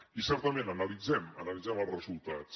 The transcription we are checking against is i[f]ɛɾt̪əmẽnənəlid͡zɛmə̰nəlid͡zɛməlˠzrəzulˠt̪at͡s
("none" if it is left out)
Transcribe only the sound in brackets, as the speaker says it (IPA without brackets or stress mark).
s